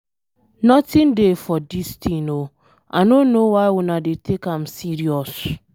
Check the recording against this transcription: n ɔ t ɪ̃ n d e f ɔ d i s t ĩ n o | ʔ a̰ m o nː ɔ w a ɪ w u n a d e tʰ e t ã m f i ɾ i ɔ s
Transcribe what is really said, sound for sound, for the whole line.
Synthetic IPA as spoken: n ɔ t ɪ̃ n d e f ɔ d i s t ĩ n o | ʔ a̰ n o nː o w a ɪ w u n a d e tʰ e k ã m s i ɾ i ɔ s